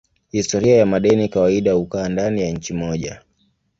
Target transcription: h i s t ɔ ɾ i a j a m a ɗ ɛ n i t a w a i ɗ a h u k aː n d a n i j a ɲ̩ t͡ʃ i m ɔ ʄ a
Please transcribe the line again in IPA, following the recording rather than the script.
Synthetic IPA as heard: h i s t ɔ ɾ i a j a m a ɗ ɛ n i k a w a i ɗ a h u k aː n d a n i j a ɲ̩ t͡ʃ i m ɔ ʄ a